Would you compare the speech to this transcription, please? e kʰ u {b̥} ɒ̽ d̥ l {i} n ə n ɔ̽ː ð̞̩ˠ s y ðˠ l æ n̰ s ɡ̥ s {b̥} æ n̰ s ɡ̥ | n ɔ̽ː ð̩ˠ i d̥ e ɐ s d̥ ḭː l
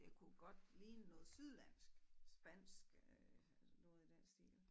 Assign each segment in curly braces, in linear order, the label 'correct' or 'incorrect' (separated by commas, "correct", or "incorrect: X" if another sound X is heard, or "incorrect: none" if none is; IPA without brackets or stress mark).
incorrect: ɡ̥, incorrect: iː, correct